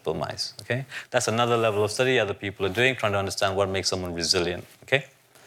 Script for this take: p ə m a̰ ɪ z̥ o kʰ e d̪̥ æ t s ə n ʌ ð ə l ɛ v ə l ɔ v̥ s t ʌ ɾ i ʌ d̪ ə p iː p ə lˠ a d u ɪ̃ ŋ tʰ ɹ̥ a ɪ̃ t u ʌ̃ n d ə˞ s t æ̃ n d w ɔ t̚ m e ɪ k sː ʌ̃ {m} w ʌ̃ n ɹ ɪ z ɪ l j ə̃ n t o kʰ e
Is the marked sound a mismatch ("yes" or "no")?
no